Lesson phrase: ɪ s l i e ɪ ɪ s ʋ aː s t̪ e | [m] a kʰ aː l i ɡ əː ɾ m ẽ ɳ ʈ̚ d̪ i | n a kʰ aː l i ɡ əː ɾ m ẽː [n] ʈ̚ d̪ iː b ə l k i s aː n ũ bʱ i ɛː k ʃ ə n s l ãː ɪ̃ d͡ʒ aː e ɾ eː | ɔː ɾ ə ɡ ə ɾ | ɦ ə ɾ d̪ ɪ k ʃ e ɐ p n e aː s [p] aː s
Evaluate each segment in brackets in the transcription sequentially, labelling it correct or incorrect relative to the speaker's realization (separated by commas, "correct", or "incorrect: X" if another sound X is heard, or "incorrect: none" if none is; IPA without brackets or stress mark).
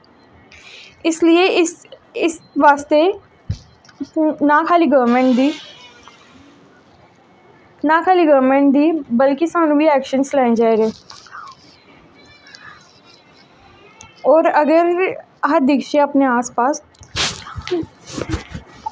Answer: incorrect: n, incorrect: ɳ, correct